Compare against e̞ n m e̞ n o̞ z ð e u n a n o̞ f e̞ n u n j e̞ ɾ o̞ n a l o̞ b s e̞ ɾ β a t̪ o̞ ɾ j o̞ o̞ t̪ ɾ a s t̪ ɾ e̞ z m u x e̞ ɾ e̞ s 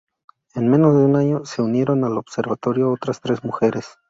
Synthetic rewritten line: e̞ n m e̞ n o̞ z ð e u n a ɲ o̞ s e̞ u n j e̞ ɾ o̞ n a l o̞ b s e̞ ɾ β a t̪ o̞ ɾ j o̞ o̞ t̪ ɾ a s t̪ ɾ e̞ z m u x e̞ ɾ e̞ s